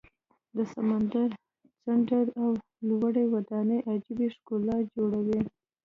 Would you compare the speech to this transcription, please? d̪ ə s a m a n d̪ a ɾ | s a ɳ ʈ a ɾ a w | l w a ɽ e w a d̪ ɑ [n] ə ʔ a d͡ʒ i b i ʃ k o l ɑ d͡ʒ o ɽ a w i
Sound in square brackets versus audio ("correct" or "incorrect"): correct